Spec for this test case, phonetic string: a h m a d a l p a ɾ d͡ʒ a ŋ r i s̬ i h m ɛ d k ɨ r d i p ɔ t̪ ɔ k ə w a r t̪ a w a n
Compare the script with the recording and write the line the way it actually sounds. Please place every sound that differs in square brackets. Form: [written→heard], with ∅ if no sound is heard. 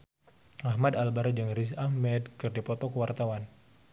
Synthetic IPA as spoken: a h m a d a l [p→b] a ɾ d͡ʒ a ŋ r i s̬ [i→a] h m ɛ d k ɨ r d i p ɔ t̪ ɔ k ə w a r t̪ a w a n

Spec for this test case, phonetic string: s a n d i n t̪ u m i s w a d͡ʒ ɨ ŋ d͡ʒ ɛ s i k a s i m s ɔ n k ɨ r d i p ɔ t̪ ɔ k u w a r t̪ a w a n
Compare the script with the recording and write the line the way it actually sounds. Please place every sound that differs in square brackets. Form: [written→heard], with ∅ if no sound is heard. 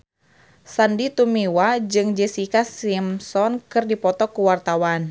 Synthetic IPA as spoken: s a n d i [n→∅] t̪ u m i [s→∅] w a d͡ʒ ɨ ŋ d͡ʒ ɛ s i k a s i m s ɔ n k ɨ r d i p ɔ t̪ ɔ k u w a r t̪ a w a n

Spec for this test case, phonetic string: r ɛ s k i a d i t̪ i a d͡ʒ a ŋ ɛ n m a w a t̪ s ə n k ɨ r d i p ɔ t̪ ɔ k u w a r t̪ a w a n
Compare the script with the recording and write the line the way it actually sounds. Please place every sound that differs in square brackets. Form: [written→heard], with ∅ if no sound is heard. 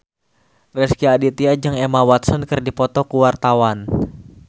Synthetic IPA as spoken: r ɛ s k i a d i t̪ i a d͡ʒ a ŋ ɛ [n→∅] m a w a t̪ s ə n k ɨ r d i p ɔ t̪ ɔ k u w a r t̪ a w a n

